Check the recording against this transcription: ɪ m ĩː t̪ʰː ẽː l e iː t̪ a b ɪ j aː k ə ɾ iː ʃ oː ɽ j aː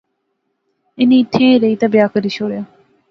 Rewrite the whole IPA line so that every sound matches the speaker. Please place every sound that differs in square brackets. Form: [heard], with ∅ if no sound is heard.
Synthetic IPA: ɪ [n] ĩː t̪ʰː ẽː [ɾ] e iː t̪ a b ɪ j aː k ə ɾ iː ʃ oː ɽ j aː